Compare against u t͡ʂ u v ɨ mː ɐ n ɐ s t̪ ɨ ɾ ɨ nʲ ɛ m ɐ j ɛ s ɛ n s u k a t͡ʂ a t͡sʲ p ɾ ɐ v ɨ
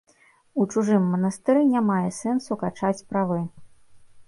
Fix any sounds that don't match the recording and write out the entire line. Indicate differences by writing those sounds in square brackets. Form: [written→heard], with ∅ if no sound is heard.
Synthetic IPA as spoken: u t͡ʂ u [v→ʐ] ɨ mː ɐ n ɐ s t̪ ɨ ɾ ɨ nʲ [ɛ→a] m [ɐ→a] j ɛ s ɛ n s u k a t͡ʂ a t͡sʲ p ɾ [ɐ→a] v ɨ